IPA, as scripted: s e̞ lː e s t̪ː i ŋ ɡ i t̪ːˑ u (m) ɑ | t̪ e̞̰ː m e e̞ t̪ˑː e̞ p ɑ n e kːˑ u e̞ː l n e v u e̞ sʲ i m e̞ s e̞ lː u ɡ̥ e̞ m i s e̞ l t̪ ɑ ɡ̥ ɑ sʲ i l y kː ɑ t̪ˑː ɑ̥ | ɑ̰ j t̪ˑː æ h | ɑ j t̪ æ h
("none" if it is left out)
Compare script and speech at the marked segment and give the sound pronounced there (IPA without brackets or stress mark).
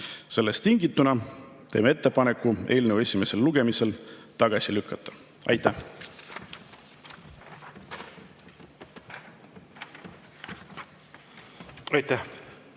n